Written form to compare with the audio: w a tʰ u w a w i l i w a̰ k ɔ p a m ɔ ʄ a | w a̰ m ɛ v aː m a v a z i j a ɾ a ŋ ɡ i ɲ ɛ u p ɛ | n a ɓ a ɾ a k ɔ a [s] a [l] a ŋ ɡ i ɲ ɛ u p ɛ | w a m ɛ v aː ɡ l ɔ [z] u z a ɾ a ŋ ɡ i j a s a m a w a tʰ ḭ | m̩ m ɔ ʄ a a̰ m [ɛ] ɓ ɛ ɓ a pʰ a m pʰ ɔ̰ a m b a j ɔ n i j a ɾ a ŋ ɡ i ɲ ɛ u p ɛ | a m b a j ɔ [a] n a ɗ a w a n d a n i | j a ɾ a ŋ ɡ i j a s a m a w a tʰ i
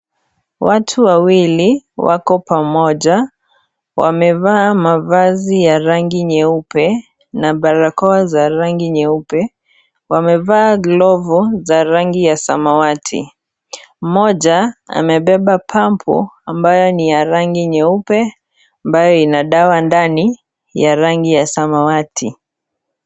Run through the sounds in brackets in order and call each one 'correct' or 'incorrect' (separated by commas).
incorrect, incorrect, incorrect, correct, incorrect